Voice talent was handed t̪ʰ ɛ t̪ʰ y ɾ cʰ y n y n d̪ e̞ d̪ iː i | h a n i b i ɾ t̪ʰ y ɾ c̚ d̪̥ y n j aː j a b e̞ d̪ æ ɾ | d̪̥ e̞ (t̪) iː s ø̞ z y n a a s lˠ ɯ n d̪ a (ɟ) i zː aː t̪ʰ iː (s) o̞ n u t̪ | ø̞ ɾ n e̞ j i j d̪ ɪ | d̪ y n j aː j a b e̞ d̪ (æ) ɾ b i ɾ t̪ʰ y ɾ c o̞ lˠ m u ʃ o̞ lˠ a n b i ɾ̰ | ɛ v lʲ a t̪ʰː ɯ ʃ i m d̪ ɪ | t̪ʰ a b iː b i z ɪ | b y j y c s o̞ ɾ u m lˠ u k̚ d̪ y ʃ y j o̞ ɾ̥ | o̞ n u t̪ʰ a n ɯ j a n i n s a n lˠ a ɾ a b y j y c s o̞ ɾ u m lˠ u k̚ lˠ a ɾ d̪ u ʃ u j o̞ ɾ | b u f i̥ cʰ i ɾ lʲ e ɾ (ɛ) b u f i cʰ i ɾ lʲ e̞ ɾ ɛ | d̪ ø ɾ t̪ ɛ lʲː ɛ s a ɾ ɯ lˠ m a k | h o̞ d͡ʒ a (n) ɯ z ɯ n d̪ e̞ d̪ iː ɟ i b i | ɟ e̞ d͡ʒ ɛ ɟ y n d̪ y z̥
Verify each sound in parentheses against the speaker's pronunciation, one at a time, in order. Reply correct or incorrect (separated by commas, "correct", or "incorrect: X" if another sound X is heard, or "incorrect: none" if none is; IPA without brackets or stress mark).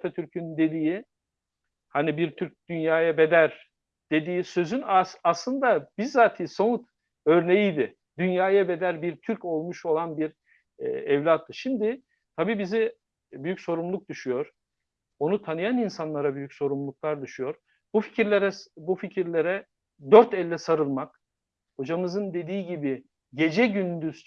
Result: incorrect: d̪, incorrect: b, correct, correct, correct, incorrect: m